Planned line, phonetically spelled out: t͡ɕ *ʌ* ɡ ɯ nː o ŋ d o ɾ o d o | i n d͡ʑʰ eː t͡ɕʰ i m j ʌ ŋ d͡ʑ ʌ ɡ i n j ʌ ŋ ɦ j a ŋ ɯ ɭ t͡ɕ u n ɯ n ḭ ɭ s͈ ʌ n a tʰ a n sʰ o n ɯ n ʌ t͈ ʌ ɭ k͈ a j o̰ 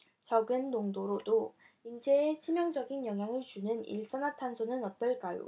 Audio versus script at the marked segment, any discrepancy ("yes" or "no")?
no